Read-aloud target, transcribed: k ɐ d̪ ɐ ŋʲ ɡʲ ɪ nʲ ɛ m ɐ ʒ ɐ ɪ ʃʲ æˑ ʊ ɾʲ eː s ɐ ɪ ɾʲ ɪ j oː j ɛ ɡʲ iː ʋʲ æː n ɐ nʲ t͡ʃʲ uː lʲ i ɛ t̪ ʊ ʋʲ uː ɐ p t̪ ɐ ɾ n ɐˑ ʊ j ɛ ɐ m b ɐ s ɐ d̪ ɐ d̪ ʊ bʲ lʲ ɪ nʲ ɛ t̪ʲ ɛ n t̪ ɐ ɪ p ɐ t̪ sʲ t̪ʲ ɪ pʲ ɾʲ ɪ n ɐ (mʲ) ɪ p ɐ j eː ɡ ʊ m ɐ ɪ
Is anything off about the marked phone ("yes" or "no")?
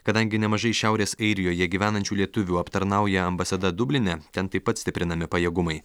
no